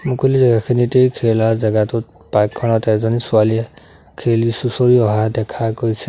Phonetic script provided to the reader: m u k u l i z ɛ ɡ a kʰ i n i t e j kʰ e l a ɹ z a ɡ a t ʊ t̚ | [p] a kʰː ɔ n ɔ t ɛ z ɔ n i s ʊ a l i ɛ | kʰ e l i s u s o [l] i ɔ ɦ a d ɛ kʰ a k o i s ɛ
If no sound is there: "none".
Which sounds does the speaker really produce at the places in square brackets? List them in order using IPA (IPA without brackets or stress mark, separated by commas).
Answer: p, ɹ